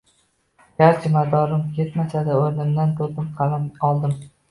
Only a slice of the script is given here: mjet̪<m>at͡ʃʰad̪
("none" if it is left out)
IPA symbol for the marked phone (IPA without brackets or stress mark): m